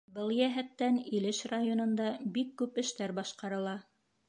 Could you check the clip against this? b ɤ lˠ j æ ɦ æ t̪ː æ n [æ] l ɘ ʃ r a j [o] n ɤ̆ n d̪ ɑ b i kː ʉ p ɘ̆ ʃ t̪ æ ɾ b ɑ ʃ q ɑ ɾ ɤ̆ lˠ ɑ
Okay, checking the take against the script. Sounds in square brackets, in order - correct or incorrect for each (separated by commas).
incorrect, correct